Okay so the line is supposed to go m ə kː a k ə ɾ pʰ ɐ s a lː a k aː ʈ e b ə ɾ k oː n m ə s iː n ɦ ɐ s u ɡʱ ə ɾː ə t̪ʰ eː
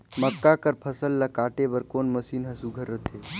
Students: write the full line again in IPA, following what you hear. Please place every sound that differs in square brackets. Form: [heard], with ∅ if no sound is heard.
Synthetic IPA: m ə kː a k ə ɾ pʰ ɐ s [ə] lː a k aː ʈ e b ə ɾ k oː n m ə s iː n ɦ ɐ s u ɡʱ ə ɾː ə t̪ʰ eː